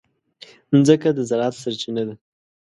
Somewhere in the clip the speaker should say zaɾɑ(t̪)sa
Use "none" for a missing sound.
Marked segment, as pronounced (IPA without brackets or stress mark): t̪